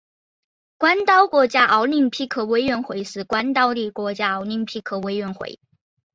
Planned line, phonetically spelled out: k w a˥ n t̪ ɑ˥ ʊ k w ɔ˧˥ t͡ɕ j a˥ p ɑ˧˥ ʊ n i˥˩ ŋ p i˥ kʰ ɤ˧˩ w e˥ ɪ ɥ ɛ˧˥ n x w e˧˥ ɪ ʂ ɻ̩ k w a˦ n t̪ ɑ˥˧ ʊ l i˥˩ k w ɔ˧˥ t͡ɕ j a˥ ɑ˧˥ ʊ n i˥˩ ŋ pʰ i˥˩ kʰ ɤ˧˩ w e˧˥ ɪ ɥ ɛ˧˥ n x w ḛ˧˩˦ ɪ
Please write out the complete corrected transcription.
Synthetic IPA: k w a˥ n t̪ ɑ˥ ʊ k w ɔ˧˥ t͡ɕ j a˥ ʔ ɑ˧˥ ʊ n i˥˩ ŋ pʰ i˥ kʰ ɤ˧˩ w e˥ ɪ ɥ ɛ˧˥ n x w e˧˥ ɪ ʂ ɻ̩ k w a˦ n t̪ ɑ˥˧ ʊ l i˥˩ k w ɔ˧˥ t͡ɕ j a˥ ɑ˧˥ ʊ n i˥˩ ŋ pʰ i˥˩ kʰ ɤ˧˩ w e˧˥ ɪ ɥ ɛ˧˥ n x w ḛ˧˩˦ ɪ